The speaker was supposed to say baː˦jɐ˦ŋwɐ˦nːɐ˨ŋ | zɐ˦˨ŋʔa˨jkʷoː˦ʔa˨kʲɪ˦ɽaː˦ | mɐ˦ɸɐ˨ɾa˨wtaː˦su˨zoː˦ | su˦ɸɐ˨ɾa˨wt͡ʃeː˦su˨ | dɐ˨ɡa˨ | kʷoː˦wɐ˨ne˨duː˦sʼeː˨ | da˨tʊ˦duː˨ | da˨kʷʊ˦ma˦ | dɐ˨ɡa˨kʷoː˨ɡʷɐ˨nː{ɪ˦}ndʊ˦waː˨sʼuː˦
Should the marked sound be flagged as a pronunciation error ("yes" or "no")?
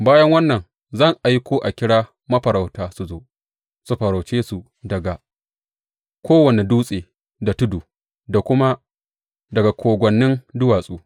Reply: no